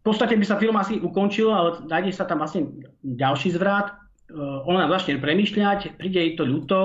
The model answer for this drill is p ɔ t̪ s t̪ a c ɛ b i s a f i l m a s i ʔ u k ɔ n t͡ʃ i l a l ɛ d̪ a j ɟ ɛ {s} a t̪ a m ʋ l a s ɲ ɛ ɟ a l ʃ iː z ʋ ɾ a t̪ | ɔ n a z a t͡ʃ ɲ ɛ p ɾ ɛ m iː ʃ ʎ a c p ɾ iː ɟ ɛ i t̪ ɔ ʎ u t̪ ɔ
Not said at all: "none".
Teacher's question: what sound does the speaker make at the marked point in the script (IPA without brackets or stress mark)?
s